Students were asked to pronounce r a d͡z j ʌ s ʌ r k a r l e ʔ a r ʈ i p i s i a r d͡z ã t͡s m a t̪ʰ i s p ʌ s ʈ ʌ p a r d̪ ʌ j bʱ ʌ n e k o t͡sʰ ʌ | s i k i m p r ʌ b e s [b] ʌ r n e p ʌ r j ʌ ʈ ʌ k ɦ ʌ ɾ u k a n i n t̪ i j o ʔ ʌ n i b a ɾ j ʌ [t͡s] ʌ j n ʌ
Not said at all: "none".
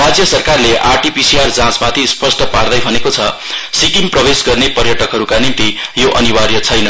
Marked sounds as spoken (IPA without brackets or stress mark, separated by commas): ɡ, t͡sʰ